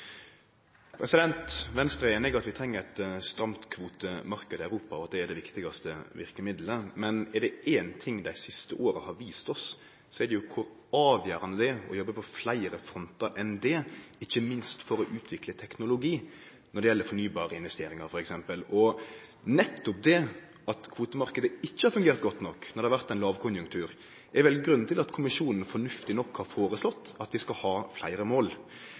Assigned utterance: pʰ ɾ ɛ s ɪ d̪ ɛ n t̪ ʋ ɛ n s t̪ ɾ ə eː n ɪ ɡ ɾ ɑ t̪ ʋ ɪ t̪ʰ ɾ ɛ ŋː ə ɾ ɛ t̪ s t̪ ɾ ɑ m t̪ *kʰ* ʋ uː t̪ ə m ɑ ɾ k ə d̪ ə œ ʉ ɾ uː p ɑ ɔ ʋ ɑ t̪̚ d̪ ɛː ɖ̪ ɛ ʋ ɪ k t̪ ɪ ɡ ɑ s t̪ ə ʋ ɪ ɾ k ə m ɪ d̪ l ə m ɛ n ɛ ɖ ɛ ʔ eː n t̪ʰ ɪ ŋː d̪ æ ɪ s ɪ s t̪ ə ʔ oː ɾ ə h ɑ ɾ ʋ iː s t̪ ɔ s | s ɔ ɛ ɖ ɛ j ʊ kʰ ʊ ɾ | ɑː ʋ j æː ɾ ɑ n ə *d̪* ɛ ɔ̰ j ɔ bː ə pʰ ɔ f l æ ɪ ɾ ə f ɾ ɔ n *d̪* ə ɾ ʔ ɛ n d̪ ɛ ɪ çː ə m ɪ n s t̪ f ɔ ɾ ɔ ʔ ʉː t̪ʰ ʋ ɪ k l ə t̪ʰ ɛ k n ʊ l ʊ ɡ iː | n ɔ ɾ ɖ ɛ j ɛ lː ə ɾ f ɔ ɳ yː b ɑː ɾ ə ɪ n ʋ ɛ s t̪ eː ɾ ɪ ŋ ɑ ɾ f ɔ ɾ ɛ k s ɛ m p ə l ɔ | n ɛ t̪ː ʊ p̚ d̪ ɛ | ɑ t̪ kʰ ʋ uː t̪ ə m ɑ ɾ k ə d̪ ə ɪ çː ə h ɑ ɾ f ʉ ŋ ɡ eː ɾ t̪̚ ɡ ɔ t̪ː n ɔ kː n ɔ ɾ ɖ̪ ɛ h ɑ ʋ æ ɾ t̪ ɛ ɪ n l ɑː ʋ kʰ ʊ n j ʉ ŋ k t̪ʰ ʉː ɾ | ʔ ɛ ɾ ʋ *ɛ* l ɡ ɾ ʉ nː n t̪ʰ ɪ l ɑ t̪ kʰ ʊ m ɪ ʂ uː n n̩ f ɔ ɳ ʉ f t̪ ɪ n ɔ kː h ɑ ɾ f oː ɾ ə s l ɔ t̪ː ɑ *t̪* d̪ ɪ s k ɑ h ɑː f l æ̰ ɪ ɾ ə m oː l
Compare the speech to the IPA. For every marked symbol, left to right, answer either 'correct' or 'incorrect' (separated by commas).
correct, correct, incorrect, correct, correct